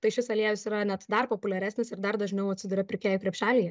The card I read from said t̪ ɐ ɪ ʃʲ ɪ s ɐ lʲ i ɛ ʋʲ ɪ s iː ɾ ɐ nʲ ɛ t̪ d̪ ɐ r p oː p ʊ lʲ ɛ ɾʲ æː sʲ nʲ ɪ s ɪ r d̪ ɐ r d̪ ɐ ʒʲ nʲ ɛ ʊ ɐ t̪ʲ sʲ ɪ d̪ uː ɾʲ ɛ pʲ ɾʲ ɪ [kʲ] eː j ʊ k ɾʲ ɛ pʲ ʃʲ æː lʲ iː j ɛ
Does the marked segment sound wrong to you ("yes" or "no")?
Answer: no